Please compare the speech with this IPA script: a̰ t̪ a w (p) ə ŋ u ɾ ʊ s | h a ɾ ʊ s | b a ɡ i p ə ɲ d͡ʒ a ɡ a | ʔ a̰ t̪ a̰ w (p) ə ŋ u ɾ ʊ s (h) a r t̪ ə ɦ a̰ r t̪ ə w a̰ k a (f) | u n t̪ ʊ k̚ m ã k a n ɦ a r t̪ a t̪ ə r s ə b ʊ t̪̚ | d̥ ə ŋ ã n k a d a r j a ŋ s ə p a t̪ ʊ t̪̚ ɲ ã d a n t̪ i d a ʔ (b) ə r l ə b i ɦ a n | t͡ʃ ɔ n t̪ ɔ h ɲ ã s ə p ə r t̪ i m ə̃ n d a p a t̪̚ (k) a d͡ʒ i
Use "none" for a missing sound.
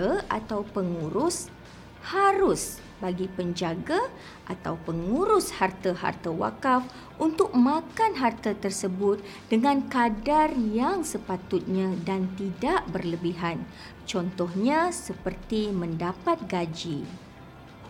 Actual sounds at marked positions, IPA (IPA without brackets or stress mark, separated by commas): p, p, h, f, b, ɡ